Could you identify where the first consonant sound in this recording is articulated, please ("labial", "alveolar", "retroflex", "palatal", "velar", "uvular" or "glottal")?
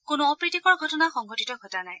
velar